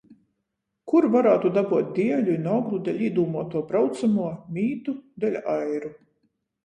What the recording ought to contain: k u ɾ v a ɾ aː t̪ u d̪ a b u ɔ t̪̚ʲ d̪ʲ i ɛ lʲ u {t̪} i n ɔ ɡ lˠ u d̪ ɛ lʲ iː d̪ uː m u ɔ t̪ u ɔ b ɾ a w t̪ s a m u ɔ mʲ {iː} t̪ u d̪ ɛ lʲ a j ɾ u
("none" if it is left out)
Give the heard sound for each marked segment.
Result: none, iː

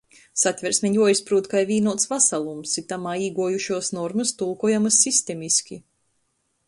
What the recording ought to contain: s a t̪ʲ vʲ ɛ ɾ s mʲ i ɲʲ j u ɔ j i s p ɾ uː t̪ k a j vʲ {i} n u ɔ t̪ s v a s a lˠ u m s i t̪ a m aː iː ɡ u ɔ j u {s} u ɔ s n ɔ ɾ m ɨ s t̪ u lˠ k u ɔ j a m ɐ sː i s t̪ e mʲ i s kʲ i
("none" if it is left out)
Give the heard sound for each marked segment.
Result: iː, ʃ

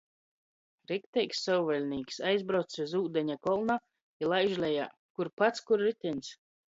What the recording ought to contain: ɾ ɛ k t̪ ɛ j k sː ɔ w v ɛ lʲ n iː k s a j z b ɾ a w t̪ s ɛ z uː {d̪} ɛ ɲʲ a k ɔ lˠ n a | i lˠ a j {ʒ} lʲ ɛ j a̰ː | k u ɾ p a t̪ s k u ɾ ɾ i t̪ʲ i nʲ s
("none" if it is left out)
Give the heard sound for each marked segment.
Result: d̪, ʒ

